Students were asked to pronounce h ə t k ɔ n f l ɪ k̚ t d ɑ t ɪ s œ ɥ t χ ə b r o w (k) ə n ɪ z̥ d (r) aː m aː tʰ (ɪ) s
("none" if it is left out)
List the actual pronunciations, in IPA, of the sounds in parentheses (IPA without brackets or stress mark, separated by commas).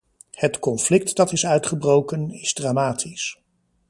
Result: k, r, i